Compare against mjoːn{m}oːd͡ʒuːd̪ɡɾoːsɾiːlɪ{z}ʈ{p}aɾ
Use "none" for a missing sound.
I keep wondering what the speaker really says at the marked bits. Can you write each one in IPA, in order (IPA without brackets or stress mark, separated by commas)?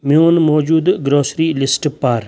m, s, p